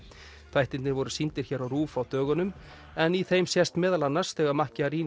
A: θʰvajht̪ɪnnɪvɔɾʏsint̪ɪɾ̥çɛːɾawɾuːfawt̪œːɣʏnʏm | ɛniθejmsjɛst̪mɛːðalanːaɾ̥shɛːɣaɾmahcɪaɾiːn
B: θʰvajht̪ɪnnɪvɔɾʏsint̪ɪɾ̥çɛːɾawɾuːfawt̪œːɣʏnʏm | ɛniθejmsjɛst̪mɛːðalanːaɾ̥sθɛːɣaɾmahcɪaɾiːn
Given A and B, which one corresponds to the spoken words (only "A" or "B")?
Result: B